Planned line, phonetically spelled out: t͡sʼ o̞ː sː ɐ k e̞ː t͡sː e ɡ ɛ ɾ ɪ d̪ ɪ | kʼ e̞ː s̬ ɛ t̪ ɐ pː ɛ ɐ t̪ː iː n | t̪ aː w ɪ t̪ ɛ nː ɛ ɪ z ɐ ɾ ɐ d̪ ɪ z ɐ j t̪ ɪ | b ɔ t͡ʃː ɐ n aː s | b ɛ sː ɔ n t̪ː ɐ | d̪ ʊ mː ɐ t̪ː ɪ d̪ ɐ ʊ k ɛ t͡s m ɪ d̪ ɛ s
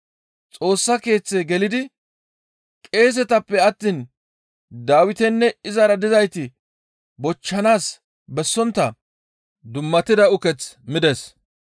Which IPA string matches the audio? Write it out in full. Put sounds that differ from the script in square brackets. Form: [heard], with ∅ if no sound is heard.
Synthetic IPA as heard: t͡sʼ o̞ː sː ɐ k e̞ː t͡sː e ɡ ɛ [l] ɪ d̪ ɪ | kʼ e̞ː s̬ ɛ t̪ ɐ pː ɛ ɐ t̪ː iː n | [d̪] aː w ɪ t̪ ɛ nː ɛ ɪ z ɐ ɾ ɐ d̪ ɪ z ɐ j t̪ ɪ | b ɔ t͡ʃː ɐ n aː s | b ɛ sː ɔ n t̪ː ɐ | d̪ ʊ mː ɐ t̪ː ɪ d̪ ɐ ʊ k ɛ t͡s m ɪ d̪ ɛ s